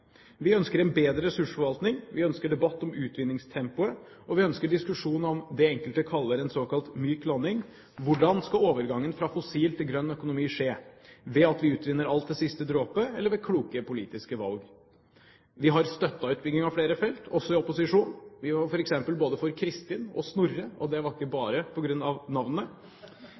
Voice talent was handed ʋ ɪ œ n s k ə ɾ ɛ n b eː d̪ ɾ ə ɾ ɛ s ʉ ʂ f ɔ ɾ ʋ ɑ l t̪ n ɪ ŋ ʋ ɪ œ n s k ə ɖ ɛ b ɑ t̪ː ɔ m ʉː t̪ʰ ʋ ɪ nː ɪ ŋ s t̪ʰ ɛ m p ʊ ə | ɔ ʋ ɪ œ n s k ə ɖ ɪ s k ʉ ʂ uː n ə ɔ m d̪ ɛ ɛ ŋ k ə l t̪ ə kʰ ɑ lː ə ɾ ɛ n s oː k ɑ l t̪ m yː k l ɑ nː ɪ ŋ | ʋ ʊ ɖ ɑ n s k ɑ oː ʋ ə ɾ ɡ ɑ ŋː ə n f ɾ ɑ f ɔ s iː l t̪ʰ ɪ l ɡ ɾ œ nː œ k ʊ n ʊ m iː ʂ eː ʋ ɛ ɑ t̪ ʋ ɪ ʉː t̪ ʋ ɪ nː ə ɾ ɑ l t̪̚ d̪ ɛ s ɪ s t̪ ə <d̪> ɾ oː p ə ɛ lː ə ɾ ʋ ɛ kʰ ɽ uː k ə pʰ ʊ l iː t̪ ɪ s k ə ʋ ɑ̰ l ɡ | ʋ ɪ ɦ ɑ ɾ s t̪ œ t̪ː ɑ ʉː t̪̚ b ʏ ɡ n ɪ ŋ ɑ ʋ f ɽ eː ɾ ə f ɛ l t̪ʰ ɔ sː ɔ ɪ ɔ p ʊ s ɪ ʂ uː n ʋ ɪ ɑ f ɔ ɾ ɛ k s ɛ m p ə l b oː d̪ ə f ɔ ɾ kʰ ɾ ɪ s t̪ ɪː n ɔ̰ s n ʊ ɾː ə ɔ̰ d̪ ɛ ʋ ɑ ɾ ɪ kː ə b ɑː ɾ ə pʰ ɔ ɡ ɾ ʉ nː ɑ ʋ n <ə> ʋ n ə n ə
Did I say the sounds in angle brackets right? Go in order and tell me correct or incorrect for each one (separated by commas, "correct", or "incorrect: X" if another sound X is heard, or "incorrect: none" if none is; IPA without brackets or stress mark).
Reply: correct, incorrect: ɑ